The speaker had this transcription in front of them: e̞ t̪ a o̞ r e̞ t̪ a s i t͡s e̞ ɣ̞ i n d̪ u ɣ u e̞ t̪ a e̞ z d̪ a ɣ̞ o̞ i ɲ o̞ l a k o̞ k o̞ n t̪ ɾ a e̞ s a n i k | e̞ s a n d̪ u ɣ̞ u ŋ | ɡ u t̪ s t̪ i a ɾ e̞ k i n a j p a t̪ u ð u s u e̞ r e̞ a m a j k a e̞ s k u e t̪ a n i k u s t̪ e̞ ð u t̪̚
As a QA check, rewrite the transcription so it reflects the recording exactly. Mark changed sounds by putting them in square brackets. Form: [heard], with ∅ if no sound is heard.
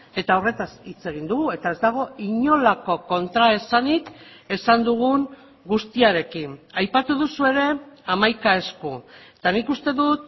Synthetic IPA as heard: e̞ t̪ a o̞ r e̞ t̪ a s i t͡s e̞ ɣ̞ i n d̪ u ɣ u e̞ t̪ a e̞ z d̪ a ɣ̞ o̞ i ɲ o̞ l a k o̞ k o̞ n t̪ ɾ a e̞ s a n i k | e̞ s a n d̪ u ɣ̞ u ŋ | ɡ u [∅] s t̪ i a ɾ e̞ k i n a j p a t̪ u ð u s u e̞ [ɾ] e̞ a m a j k a e̞ s k u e t̪ a n i k u s t̪ e̞ ð u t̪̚